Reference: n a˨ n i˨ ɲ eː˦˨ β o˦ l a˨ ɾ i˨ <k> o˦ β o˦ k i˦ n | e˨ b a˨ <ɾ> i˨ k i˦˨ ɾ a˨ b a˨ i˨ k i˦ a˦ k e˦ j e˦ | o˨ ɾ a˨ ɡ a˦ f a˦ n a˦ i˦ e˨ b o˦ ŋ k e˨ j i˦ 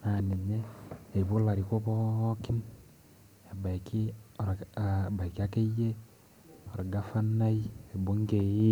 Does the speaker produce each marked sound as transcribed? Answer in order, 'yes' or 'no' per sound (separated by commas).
yes, no